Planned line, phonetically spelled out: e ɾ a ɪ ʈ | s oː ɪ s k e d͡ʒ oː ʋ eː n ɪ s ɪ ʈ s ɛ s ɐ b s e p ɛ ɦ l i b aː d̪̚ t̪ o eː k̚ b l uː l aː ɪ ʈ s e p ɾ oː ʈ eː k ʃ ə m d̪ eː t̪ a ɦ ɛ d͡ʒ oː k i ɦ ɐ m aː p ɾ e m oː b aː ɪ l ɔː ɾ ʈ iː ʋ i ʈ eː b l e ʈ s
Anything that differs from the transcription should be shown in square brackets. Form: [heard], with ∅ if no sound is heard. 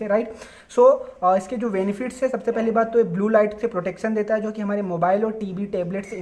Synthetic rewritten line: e ɾ a ɪ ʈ | s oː ɪ s k e d͡ʒ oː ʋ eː n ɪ [f] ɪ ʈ s ɛ s ɐ b s e p ɛ ɦ l i b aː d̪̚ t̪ o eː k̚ b l uː l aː ɪ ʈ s e p ɾ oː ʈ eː k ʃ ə [n] d̪ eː t̪ a ɦ ɛ d͡ʒ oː k i ɦ ɐ m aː [∅] ɾ e m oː b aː ɪ l ɔː ɾ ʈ iː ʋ i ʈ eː b l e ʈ s

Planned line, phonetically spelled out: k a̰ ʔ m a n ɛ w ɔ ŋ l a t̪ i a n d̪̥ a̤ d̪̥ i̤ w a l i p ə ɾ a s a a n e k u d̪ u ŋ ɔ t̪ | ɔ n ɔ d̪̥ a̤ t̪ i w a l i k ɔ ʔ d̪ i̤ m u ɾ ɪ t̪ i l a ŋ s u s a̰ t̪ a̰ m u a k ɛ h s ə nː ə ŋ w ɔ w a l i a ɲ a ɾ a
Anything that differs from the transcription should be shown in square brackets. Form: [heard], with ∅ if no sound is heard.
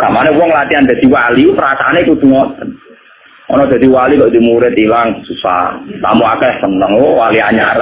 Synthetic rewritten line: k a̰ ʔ m a n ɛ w ɔ ŋ l a t̪ i a n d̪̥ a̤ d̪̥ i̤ w a l i p ə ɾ a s a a n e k u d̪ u ŋ ɔ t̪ | ɔ n ɔ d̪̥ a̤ [d̪] i w a l i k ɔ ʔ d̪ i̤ m u ɾ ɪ t̪ i l a ŋ s u s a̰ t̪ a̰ m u a k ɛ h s ə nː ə ŋ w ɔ w a l i a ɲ a ɾ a

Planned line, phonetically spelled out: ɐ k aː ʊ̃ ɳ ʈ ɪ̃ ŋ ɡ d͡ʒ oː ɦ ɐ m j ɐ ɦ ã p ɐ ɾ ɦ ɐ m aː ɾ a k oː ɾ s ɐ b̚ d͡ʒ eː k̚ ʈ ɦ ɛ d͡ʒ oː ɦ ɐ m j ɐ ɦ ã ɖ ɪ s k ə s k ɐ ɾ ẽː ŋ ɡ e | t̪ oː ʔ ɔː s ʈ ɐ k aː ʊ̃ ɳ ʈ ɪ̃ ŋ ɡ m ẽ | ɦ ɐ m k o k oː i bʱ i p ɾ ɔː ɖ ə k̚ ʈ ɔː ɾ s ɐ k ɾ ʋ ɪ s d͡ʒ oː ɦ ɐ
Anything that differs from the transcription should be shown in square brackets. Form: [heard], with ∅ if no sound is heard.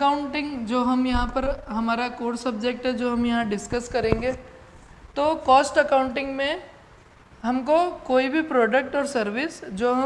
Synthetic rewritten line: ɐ k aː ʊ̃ ɳ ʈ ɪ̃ ŋ ɡ d͡ʒ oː ɦ ɐ m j ɐ ɦ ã p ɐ ɾ ɦ ɐ m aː ɾ a k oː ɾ s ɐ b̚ d͡ʒ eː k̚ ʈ ɦ ɛ d͡ʒ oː ɦ ɐ m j ɐ ɦ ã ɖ ɪ s k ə s k ɐ ɾ ẽː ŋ ɡ e | t̪ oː [k] ɔː s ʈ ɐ k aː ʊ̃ ɳ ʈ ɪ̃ ŋ ɡ m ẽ | ɦ ɐ m k o k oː i bʱ i p ɾ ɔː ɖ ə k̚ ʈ ɔː ɾ s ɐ [∅] ɾ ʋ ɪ s d͡ʒ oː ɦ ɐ

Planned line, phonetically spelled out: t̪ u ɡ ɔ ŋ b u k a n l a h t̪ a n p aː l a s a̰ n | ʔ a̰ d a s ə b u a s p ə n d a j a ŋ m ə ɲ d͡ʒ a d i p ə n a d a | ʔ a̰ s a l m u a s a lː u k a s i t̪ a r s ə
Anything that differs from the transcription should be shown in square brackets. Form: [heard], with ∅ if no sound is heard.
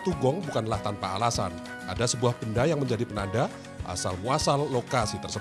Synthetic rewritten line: t̪ u ɡ ɔ ŋ b u k a n l a h t̪ a n p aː l a s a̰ n | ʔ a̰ d a s ə b u a [h] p ə n d a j a ŋ m ə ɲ d͡ʒ a d i p ə n a d a | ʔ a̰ s a l m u a s a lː [o] k a s i t̪ [ə] r s ə

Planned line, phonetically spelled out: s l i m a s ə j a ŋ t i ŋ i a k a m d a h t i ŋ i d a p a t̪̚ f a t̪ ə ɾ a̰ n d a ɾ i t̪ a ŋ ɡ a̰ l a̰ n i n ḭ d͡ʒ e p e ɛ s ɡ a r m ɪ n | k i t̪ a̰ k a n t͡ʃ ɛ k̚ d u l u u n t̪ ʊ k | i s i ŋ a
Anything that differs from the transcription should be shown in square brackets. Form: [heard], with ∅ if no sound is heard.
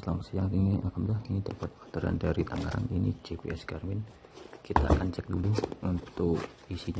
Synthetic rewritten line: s l [a] m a s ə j a ŋ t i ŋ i a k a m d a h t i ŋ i d a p a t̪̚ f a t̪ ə ɾ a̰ n d a ɾ i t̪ a ŋ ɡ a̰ [ɾ] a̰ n i n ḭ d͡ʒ e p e ɛ s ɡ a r m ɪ n | k i t̪ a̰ k a n t͡ʃ ɛ k̚ d u l u u n t̪ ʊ k | i s i [ɲ] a

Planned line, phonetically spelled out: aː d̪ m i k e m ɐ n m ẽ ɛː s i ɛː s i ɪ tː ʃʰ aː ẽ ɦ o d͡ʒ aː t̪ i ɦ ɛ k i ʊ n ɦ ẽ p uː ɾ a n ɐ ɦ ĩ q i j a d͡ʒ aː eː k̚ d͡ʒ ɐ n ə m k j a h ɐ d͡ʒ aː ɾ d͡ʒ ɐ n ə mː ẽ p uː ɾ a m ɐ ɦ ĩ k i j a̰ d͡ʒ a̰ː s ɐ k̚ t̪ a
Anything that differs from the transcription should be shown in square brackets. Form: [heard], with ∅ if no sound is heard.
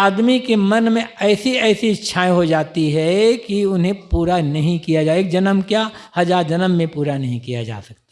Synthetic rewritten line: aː d̪ m i k e m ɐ n m ẽ ɛː s i ɛː s i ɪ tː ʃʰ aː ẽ ɦ o d͡ʒ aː t̪ i ɦ ɛ k i ʊ n ɦ ẽ p uː ɾ a n ɐ ɦ ĩ [k] i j a d͡ʒ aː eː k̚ d͡ʒ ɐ n ə m k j a h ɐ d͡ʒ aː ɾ d͡ʒ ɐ n ə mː ẽ p uː ɾ a [n] ɐ ɦ ĩ k i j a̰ d͡ʒ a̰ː s ɐ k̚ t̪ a

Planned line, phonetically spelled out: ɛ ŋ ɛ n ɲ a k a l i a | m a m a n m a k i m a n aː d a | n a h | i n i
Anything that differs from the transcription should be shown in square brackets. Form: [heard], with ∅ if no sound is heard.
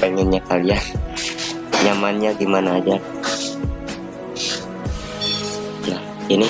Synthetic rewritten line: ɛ ŋ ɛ n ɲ a k a l i a | [ɲ] a m a n [ɲ] a [ɡ] i m a n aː [d͡ʒ] a | n a h | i n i

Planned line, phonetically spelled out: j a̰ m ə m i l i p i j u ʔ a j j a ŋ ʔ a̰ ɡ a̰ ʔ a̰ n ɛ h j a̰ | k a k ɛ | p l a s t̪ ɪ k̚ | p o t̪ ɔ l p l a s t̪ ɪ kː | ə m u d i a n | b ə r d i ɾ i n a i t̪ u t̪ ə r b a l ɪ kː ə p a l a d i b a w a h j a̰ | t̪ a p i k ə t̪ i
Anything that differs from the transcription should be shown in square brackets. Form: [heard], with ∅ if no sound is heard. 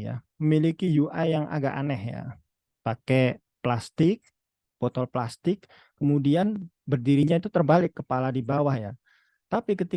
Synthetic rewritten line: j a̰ m ə m i l i [k] i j u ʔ a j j a ŋ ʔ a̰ ɡ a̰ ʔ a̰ n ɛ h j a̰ | [p] a k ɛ | p l a s t̪ ɪ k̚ | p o t̪ ɔ l p l a s t̪ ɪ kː | ə m u d i a n | b ə r d i ɾ i [ɲ] a i t̪ u t̪ ə r b a l ɪ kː ə p a l a d i b a w a h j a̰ | t̪ a p i k ə t̪ i

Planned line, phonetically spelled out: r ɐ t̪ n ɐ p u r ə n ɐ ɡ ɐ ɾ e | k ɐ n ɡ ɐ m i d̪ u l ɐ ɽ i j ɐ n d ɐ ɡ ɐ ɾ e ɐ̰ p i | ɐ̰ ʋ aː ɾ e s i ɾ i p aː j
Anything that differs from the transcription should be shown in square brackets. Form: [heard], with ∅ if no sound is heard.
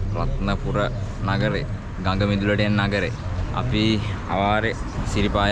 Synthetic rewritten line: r ɐ t̪ n ɐ p u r [ɐ] n ɐ ɡ ɐ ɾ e | [ɡ] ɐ [ŋ] ɡ ɐ m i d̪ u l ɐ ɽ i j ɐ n [n] ɐ ɡ ɐ ɾ e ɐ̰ p i | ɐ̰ ʋ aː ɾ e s i ɾ i p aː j

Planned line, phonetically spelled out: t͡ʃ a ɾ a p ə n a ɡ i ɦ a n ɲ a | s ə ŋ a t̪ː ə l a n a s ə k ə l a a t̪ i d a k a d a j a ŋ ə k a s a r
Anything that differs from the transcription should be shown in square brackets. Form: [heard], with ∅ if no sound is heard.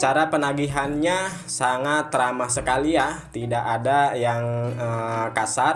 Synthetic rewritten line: t͡ʃ a ɾ a p ə n a ɡ i ɦ a n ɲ a | s [a] ŋ a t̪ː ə [ɾ] a [m] a s ə k [a] l [i] a t̪ i d a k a d a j a ŋ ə k a s a r

